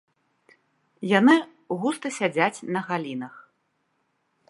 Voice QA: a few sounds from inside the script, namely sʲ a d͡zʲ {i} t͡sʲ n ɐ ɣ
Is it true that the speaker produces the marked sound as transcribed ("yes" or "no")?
no